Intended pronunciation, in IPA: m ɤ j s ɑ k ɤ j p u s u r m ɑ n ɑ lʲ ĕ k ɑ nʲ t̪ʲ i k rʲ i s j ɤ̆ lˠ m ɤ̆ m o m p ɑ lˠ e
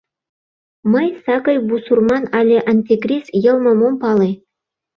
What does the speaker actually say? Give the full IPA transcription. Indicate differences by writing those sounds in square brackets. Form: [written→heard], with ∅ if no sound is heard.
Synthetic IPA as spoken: m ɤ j s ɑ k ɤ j [p→b] u s u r m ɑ n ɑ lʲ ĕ [k→ʔ] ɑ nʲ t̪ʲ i k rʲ i s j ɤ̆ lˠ m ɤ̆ m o m p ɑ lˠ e